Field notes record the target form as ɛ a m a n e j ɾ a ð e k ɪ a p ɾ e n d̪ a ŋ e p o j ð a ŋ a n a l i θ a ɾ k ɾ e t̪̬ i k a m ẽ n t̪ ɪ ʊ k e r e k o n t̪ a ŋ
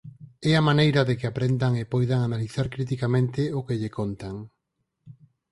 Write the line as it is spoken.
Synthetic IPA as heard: ɛ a m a n e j ɾ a ð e k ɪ a p ɾ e n d̪ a ŋ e p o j ð a ŋ a n a l i θ a ɾ k ɾ i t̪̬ i k a m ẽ n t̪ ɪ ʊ k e ʎ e k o n t̪ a ŋ